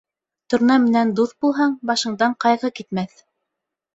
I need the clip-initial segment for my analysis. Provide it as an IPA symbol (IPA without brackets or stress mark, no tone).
t̪